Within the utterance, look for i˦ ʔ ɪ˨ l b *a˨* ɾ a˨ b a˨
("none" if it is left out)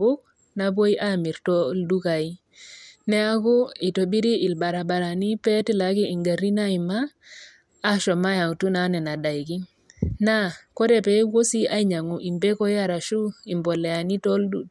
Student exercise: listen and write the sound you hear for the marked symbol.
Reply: a˨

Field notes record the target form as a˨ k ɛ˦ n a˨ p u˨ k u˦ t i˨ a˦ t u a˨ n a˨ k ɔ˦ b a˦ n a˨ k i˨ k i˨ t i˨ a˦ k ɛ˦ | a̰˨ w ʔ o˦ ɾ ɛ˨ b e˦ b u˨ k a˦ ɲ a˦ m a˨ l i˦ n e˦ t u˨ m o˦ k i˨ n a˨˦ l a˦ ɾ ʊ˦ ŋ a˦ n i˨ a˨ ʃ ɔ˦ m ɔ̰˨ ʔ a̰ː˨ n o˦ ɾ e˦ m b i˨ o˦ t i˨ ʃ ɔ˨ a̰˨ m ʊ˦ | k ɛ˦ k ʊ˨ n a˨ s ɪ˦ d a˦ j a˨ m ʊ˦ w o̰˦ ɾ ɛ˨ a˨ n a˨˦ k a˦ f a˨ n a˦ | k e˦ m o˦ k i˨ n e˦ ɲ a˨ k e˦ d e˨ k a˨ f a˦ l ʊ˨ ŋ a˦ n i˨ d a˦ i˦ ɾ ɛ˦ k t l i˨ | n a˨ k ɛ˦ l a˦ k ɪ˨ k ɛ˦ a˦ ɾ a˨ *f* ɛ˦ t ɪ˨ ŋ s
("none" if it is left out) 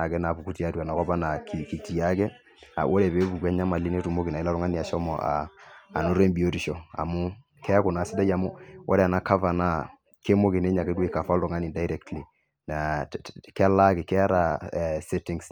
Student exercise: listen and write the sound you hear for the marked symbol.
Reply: s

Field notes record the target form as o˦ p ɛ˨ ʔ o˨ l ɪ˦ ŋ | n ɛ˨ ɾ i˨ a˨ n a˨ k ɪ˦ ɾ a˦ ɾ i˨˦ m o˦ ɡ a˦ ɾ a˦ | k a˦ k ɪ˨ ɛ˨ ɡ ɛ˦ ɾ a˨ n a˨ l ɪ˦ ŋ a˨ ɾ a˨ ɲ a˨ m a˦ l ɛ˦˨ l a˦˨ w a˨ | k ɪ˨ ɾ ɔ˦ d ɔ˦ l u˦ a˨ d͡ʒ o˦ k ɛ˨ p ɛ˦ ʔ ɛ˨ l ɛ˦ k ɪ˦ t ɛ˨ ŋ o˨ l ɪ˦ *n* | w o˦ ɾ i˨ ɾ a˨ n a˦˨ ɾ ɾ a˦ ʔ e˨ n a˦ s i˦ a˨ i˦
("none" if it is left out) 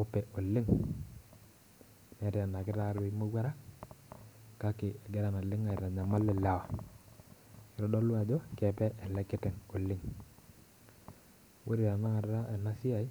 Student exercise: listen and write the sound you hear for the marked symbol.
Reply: ŋ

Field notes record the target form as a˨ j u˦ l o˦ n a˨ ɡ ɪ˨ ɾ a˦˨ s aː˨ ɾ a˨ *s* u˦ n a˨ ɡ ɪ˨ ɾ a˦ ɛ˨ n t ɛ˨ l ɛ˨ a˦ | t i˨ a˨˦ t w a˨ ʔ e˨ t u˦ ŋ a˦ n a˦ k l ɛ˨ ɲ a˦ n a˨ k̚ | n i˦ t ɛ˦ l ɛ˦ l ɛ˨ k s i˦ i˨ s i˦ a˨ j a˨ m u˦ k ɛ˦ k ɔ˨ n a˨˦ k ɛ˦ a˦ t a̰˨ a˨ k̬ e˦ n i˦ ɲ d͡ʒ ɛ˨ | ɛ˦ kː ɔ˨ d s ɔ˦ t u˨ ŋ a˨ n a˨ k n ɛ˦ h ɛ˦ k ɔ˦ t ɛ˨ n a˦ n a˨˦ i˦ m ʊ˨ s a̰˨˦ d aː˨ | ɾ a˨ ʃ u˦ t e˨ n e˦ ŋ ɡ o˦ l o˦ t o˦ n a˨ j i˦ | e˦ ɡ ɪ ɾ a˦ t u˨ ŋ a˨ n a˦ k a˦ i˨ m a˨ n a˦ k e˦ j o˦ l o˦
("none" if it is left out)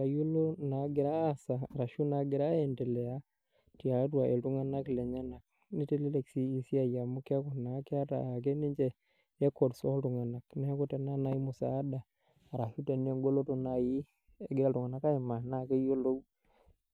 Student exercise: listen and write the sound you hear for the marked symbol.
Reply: ʃ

